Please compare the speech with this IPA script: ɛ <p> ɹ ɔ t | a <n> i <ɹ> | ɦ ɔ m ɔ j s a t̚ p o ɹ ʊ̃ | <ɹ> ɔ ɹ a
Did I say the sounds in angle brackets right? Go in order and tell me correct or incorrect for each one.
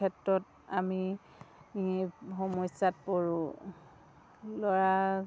incorrect: t, incorrect: m, incorrect: none, incorrect: l

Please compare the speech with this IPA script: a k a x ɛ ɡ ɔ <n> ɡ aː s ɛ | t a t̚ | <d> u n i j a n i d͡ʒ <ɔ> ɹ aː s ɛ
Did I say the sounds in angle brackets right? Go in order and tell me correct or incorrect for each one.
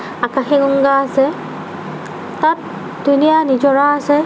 incorrect: ŋ, correct, correct

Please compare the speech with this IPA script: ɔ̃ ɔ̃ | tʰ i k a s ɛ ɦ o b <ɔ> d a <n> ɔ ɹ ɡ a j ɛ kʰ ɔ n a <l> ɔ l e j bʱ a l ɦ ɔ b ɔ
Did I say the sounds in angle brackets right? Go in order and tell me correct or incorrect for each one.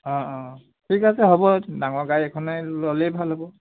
correct, incorrect: ŋ, correct

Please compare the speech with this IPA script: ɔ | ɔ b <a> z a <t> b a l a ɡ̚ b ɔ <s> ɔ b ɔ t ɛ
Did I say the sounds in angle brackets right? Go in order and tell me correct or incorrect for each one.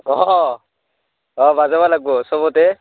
correct, incorrect: none, correct

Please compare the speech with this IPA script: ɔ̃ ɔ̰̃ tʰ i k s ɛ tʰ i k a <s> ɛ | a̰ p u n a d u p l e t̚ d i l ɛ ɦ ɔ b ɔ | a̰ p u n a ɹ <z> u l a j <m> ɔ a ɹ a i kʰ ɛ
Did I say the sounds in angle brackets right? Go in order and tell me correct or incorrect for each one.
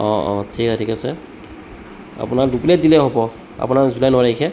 correct, correct, incorrect: n

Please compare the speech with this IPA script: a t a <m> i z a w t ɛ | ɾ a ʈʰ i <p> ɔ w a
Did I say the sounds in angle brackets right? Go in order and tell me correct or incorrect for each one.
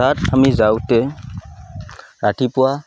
correct, correct

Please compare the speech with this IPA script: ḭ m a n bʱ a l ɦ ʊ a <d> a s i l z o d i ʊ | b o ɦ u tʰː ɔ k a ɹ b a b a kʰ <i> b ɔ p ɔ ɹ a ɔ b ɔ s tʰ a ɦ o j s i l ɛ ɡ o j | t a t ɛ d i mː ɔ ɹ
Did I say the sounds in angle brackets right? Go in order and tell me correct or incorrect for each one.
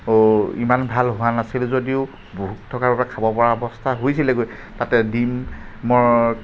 incorrect: n, incorrect: a

